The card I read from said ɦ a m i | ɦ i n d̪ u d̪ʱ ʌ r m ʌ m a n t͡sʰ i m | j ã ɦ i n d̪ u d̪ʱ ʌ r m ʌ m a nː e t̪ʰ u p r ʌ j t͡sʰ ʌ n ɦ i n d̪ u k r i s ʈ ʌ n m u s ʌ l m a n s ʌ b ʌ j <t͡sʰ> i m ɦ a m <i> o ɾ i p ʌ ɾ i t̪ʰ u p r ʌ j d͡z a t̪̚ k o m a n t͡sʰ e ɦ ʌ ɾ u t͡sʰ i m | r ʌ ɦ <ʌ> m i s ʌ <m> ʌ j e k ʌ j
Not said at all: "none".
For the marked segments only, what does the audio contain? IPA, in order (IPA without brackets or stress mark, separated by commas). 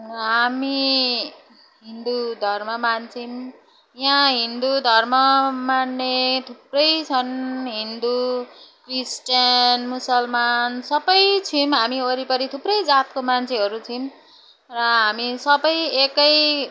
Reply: t͡sʰ, i, a, b